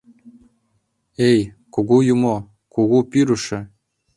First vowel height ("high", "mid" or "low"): mid